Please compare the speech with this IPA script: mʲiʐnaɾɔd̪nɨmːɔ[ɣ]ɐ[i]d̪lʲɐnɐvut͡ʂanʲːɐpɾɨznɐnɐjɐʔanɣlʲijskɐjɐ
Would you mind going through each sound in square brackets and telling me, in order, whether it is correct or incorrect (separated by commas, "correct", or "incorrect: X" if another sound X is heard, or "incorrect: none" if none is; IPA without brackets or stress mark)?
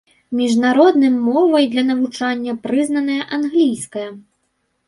incorrect: v, incorrect: j